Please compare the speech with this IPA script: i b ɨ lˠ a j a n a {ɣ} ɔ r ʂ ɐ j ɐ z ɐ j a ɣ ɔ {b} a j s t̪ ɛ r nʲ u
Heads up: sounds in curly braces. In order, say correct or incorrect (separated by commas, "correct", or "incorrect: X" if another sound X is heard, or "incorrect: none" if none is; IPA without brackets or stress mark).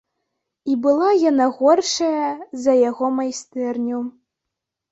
correct, incorrect: m